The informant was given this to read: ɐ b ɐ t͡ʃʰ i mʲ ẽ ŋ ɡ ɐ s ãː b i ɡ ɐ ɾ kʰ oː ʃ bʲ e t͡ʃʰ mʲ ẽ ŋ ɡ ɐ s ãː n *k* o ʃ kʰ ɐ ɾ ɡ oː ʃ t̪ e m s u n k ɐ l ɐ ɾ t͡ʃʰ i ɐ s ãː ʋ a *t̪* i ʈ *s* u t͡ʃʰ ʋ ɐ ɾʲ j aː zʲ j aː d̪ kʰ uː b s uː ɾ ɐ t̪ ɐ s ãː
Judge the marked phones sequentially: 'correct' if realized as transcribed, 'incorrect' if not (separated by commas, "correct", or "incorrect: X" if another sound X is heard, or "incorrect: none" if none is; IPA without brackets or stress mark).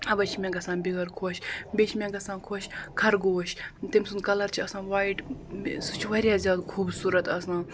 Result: incorrect: kʰ, incorrect: none, correct